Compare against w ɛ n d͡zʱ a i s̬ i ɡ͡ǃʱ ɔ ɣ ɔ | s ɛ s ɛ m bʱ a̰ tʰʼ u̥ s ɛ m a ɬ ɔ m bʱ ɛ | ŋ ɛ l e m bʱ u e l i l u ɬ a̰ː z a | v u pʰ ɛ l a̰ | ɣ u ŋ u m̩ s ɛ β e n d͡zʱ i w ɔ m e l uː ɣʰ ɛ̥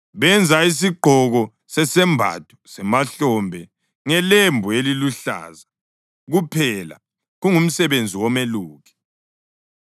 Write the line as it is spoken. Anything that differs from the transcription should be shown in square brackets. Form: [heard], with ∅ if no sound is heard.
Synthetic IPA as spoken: [β] ɛ n d͡zʱ a i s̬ i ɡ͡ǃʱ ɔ ɣ ɔ | s ɛ s ɛ m bʱ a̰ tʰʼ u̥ s ɛ m a ɬ ɔ m bʱ ɛ | ŋ ɛ l e m bʱ u e l i l u ɬ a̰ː z a | [ɣ] u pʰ ɛ l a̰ | ɣ u ŋ u m̩ s ɛ β e n d͡zʱ i w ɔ m e l uː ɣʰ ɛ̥